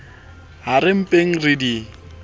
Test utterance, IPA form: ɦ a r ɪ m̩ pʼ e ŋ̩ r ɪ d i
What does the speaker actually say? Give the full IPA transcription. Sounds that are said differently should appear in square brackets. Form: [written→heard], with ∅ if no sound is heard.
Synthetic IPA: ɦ a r ɪ m̩ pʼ e ŋ̩ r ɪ d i